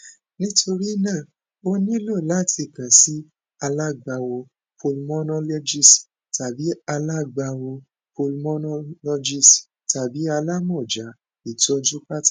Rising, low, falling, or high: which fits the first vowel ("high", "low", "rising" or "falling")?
high